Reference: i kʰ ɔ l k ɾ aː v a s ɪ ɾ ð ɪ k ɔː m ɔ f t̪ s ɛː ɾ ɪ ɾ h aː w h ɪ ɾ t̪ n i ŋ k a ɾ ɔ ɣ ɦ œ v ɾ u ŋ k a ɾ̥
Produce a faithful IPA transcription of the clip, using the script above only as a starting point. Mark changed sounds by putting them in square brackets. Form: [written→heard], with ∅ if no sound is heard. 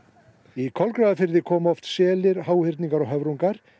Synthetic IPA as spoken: i kʰ ɔ l k ɾ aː [v→ð] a [s→f] ɪ ɾ ð ɪ [k→kʰ] ɔː m ɔ f t̪ s ɛː [ɾ→l] ɪ ɾ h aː w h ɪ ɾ t̪ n i ŋ k a ɾ ɔ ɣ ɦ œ v ɾ u ŋ k a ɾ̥